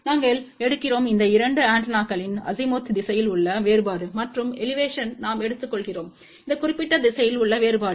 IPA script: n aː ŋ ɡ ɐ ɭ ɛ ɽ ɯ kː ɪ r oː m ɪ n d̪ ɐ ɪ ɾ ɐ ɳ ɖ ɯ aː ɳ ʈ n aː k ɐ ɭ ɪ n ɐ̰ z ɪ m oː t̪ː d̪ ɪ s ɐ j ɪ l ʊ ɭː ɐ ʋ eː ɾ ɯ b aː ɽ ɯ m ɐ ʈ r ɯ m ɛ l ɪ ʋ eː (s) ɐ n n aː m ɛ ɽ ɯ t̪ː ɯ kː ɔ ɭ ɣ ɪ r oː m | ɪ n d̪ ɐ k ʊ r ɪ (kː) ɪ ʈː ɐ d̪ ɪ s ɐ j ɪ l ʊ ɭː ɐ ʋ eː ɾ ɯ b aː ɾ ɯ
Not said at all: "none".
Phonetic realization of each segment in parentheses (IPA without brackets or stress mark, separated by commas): ʂ, pː